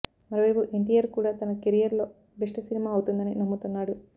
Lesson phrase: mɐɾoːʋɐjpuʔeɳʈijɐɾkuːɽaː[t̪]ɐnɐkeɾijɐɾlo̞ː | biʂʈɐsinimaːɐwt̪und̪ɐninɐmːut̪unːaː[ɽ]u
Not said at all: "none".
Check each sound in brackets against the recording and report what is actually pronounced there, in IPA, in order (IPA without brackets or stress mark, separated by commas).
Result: t̪, ɽ